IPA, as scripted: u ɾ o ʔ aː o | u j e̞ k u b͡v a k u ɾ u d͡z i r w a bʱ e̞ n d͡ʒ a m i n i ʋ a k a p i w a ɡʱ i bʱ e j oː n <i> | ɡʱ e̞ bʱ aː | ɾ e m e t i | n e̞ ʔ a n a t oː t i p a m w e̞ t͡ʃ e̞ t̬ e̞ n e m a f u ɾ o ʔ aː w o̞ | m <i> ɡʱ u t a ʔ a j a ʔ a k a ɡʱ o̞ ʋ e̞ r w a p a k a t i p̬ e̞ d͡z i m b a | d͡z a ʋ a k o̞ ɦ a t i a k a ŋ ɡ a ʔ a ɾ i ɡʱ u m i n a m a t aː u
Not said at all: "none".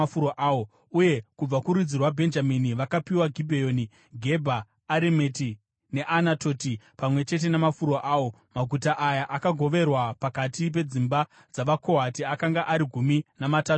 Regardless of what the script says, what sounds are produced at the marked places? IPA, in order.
i, a

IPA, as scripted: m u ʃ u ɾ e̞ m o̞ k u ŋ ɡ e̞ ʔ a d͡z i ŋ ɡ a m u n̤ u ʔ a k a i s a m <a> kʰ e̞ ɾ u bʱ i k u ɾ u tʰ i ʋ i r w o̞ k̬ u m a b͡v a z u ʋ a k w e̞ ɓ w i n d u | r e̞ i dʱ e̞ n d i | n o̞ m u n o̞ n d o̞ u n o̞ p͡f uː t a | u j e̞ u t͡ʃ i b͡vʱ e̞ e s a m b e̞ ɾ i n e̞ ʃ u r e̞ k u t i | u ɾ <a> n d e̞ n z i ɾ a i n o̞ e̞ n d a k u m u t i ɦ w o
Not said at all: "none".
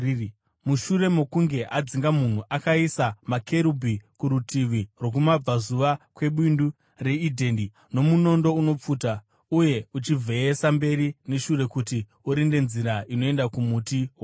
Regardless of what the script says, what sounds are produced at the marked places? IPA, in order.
a, i

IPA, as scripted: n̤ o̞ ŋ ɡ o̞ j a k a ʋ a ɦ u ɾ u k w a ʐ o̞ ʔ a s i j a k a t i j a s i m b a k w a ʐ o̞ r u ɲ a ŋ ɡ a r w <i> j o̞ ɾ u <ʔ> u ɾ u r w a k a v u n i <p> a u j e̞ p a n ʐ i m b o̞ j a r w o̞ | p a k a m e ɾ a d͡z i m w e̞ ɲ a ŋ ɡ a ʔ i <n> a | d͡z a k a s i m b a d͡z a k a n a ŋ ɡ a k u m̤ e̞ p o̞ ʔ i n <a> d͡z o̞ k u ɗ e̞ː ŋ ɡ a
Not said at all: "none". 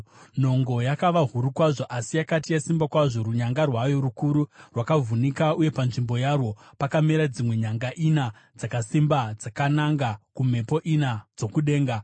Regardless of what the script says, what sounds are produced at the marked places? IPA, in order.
a, k, k, n, a

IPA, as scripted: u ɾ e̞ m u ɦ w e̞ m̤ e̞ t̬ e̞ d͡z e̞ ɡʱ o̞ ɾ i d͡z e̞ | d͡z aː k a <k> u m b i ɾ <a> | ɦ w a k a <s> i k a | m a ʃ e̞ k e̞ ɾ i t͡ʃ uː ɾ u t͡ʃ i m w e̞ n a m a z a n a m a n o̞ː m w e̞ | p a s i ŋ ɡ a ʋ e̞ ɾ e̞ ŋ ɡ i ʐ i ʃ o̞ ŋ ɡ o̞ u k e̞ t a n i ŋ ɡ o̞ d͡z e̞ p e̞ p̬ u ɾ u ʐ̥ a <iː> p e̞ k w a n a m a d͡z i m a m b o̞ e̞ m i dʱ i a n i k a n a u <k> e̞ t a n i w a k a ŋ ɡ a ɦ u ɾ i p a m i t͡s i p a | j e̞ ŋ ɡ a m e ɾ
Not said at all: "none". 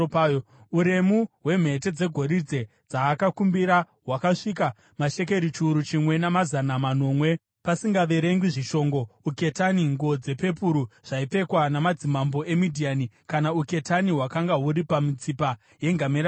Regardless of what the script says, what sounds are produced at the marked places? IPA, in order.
k, a, ʂ, i, k

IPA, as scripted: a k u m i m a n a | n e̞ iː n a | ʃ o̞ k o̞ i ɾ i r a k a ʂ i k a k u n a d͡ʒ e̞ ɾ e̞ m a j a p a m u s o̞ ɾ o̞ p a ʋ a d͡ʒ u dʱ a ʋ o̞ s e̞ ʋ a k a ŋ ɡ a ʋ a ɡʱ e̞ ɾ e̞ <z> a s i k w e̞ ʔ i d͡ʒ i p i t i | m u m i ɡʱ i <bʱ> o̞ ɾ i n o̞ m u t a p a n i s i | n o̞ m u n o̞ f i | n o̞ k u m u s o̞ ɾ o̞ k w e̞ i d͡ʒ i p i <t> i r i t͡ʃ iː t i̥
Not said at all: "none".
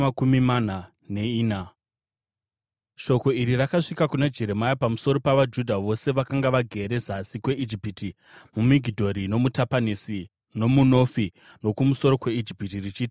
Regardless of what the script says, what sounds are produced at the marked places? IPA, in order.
z, dʱ, t

